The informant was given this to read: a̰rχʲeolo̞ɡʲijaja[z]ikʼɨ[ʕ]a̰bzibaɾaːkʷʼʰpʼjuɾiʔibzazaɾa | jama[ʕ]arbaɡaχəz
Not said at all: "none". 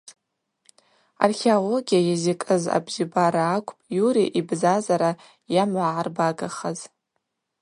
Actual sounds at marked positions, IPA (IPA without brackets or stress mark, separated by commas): z, z, ʕ